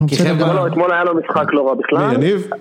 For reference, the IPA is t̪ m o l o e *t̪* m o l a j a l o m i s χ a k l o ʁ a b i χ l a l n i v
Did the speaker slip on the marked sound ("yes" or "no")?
no